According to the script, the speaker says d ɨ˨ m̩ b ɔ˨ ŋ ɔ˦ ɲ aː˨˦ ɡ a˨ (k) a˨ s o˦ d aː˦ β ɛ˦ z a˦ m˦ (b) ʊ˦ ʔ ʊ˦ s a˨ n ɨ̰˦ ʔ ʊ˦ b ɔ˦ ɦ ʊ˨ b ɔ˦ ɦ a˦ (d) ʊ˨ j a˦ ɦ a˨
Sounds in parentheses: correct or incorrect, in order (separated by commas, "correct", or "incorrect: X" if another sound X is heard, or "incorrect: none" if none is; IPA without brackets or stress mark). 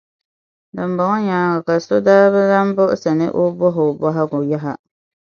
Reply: correct, correct, incorrect: ɡ